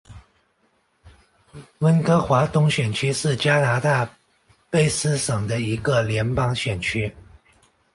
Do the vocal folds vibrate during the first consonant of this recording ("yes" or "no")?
yes